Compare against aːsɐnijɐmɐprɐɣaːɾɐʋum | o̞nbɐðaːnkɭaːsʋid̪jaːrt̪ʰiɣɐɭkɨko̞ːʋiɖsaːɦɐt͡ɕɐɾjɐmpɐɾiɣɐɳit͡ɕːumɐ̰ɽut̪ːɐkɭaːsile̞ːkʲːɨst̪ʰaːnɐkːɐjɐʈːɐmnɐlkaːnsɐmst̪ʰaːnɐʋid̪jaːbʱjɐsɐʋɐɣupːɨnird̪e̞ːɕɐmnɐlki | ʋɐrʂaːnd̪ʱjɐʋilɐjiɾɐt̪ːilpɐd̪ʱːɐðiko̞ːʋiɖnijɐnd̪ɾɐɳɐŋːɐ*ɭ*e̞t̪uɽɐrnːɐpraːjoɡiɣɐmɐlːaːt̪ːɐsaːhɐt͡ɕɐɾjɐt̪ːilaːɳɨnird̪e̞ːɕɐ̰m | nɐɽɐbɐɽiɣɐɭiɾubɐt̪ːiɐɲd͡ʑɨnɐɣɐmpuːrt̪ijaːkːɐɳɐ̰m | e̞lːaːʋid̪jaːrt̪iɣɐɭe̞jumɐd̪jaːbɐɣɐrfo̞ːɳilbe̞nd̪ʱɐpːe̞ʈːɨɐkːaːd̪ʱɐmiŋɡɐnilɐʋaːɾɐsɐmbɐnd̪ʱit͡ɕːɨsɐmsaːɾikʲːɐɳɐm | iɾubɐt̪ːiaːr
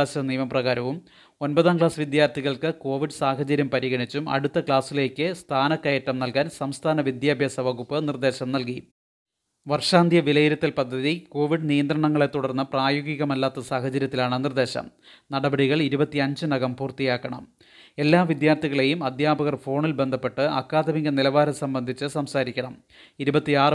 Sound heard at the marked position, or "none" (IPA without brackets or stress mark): ɭ